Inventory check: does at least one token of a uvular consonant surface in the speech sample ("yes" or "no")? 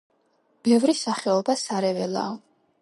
yes